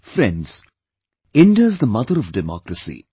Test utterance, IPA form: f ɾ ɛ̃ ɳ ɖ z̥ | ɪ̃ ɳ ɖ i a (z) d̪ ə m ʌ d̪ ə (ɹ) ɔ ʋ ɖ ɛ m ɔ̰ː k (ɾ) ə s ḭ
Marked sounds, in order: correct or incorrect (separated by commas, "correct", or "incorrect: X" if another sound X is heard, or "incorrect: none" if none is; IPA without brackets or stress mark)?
correct, incorrect: ɾ, correct